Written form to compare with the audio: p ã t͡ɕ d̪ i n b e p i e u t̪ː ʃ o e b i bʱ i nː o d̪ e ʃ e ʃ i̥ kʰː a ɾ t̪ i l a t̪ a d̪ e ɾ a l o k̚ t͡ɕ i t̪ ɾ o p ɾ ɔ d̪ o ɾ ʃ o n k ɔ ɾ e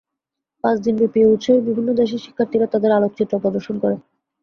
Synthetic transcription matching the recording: p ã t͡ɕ d̪ i n b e p i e u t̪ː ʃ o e b i bʱ i nː o d̪ e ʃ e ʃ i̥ kʰː a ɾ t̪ i ɾ a t̪ a d̪ e ɾ a l o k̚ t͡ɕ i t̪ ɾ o p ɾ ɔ d̪ o ɾ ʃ o n k ɔ ɾ e